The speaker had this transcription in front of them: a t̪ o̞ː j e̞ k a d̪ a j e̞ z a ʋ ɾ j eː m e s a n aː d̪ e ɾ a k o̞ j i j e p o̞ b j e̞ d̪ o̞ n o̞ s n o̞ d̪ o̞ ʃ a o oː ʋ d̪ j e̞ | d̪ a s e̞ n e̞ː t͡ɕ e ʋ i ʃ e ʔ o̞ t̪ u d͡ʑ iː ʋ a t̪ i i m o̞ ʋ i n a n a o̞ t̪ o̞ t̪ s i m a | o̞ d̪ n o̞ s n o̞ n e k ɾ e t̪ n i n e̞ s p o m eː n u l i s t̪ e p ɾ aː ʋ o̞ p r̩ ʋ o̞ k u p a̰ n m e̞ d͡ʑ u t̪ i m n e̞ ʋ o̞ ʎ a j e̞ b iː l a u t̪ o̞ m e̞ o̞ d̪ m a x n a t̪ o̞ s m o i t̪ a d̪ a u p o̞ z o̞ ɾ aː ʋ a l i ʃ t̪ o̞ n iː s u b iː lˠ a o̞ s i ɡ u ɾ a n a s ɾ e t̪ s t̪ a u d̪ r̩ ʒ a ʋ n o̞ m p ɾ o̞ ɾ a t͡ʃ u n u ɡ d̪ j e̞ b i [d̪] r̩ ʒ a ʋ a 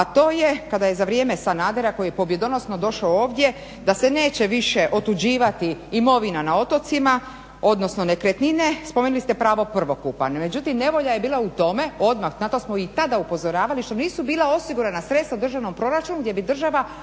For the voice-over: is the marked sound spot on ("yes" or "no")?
yes